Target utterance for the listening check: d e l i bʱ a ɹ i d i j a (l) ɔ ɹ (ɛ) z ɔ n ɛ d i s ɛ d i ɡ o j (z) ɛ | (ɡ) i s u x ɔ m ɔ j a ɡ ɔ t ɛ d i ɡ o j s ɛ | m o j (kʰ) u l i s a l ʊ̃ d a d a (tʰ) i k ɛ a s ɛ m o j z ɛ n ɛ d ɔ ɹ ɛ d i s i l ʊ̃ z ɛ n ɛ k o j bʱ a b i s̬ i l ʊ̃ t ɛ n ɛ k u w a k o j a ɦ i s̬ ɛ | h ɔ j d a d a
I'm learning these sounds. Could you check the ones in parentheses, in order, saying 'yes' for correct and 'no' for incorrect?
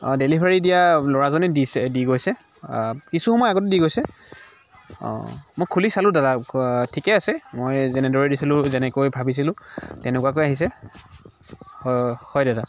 yes, no, no, no, yes, yes

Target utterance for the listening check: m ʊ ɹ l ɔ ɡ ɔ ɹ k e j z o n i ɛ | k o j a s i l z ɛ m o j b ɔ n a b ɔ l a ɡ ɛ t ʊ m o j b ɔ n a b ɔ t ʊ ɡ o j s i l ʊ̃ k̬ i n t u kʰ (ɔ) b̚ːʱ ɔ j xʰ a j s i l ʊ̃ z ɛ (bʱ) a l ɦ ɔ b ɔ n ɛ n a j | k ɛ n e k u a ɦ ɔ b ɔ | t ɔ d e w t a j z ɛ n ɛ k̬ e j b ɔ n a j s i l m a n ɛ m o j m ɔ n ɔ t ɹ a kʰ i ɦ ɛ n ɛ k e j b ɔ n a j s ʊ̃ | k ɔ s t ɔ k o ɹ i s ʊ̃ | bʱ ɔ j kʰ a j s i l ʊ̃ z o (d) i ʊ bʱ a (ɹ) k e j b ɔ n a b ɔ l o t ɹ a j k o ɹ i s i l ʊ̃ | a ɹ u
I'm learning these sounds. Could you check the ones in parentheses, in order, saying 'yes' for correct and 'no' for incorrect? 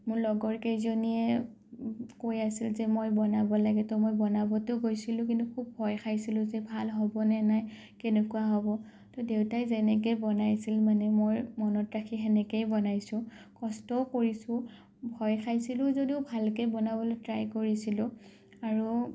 no, yes, yes, no

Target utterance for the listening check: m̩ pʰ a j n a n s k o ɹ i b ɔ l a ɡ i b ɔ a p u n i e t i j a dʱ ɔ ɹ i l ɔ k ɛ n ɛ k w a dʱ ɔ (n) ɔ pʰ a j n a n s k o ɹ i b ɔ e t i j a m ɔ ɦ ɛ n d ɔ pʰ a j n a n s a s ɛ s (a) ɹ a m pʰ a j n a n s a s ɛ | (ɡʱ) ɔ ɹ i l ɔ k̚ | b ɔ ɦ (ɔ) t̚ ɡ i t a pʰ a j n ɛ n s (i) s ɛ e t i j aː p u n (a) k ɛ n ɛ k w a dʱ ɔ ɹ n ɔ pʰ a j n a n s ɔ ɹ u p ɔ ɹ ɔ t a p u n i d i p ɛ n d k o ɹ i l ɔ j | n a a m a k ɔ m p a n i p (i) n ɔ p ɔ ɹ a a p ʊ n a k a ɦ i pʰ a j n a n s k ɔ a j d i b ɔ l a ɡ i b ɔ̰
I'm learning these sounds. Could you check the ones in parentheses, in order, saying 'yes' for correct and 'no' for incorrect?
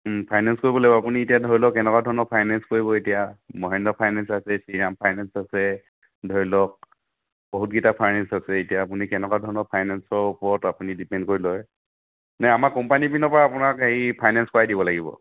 yes, no, no, no, no, no, yes

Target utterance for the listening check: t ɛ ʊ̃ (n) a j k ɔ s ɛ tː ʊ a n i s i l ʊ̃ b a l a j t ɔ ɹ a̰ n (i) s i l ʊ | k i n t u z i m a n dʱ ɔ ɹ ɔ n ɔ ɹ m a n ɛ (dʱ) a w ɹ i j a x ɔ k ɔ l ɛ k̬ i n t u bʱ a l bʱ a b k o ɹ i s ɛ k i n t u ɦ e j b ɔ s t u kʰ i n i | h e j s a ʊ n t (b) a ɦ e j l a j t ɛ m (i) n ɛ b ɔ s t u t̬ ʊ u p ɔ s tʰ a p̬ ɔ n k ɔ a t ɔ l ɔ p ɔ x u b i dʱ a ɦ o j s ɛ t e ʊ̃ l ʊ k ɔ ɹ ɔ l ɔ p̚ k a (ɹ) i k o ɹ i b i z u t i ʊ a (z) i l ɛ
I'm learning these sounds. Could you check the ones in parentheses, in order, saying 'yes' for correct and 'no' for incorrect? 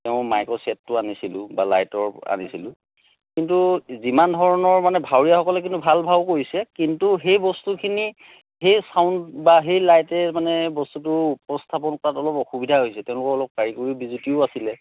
no, yes, no, yes, no, yes, no

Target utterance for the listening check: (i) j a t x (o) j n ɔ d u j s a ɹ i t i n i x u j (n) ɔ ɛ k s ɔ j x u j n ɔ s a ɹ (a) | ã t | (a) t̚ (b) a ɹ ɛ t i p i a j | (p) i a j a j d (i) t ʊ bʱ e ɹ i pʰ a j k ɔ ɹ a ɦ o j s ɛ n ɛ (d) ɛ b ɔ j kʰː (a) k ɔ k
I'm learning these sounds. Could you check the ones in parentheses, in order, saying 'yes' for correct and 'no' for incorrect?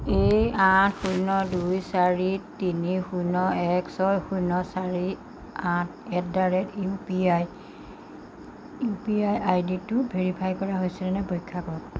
no, no, yes, no, no, no, yes, yes, no, yes

